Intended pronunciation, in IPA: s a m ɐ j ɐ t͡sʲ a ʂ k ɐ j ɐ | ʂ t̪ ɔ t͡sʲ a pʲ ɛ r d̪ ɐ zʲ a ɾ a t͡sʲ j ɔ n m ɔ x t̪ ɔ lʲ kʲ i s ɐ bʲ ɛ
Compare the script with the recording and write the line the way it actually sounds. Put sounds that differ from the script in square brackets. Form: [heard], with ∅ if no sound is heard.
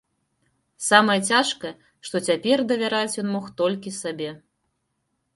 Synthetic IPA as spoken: s a m ɐ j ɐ t͡sʲ a ʂ k ɐ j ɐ | ʂ t̪ ɔ t͡sʲ a pʲ ɛ r d̪ ɐ [vʲ] a ɾ a t͡sʲ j ɔ n m ɔ x t̪ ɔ lʲ kʲ i s [a] bʲ ɛ